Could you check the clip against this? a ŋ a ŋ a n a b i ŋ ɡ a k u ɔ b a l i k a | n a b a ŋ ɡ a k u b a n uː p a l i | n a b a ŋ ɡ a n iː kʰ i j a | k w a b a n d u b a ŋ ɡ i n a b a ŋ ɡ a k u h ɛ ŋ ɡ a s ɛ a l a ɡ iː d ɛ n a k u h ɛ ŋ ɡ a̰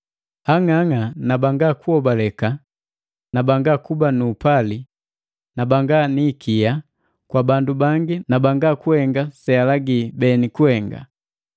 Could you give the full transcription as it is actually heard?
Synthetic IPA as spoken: a ŋ a ŋ a n a b a ŋ ɡ a k u ɔ b a l ɛ k a | n a b a ŋ ɡ a k u b a n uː p a l i | n a b a ŋ ɡ a n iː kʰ i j a | k w a b a n d u b a ŋ ɡ i n a b a ŋ ɡ a k u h ɛ ŋ ɡ a s ɛ a l a ɡ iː b ɛ n i k u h ɛ ŋ ɡ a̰